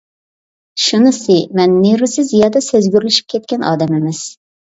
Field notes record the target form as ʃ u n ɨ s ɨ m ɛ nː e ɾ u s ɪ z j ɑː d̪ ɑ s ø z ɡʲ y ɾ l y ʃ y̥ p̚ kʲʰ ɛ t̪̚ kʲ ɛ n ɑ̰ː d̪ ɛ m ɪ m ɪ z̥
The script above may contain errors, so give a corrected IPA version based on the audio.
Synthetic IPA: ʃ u n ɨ s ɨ m ɛ nː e ɾ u s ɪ z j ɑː d̪ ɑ s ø z ɡʲ y ɾ l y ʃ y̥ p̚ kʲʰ ɛ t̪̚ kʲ ɛ n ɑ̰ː d̪ ɛ m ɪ m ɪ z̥